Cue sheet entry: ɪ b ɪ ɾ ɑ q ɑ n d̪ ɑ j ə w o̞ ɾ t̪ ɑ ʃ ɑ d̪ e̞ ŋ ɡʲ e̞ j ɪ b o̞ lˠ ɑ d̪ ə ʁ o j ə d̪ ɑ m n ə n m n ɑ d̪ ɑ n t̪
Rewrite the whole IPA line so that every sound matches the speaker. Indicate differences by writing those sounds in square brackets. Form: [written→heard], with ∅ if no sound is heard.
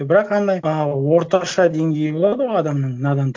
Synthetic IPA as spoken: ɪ b ɪ ɾ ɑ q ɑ n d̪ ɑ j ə w o̞ ɾ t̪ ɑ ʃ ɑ d̪ e̞ ŋ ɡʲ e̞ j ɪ b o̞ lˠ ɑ d̪ ə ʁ o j [ə→ɑ] d̪ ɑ m n ə [n→ɴ] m n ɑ d̪ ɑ n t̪